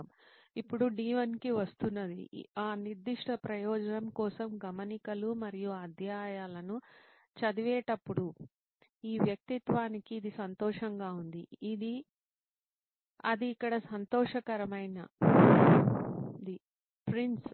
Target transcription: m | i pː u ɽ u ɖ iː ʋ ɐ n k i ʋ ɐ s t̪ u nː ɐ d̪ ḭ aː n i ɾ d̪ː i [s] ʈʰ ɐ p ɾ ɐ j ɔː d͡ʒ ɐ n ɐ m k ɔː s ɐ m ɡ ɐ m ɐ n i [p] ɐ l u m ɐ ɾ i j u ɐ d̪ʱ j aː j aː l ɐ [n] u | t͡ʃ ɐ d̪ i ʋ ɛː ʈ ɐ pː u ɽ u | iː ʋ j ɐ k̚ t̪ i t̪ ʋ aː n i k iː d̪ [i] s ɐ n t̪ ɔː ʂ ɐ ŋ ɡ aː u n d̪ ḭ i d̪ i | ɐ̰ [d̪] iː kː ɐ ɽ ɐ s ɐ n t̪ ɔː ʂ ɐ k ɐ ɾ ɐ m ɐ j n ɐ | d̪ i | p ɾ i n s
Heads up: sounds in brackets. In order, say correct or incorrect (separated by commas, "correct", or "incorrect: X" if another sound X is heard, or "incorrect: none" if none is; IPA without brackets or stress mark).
incorrect: ʂ, incorrect: k, correct, correct, correct